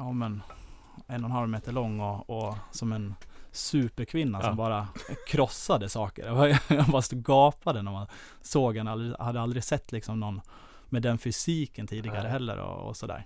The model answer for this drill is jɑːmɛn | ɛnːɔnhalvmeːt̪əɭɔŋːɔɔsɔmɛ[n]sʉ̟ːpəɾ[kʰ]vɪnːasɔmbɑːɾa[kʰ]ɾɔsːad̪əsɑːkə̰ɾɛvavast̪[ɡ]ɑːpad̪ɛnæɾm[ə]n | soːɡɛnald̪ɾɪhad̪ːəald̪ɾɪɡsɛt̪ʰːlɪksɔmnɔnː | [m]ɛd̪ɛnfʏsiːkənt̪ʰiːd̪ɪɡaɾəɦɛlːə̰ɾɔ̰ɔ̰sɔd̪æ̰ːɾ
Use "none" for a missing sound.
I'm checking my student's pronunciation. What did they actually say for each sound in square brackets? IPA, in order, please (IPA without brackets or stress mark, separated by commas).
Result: n, kʰ, kʰ, ɡ, a, m